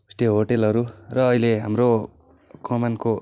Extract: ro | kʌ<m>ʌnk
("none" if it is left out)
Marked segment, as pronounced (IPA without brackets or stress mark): m